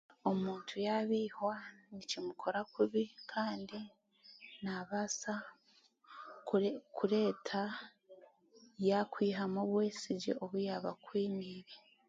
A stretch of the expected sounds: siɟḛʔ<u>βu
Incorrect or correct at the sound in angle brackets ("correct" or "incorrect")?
incorrect